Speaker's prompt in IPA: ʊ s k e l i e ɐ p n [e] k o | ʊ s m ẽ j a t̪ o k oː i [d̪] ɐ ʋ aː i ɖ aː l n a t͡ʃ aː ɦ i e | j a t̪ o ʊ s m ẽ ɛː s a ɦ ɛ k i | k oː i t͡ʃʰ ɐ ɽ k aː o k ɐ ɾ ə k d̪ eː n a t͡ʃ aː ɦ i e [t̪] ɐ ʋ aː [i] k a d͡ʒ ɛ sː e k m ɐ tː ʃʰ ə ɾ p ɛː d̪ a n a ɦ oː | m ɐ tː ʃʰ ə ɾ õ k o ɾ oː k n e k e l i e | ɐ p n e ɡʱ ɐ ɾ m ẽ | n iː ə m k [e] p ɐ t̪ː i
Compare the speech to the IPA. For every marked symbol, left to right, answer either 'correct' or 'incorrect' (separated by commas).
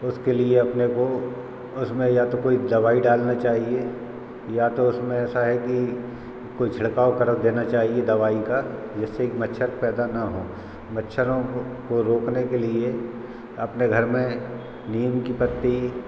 correct, correct, incorrect, correct, incorrect